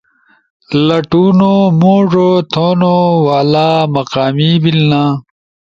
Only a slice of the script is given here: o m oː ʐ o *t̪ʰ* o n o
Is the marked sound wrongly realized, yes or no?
no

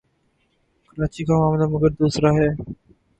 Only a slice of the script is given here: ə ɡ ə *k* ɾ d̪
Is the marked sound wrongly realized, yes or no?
yes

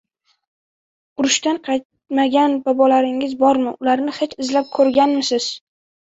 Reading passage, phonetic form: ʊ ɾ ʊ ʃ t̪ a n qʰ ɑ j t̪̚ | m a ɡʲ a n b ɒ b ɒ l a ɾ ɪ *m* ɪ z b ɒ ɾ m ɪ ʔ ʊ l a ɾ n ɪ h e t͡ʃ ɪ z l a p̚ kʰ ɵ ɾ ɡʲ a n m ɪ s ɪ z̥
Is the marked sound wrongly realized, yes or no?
yes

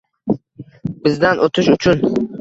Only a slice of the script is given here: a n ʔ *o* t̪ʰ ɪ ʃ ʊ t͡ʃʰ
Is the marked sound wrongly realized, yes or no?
no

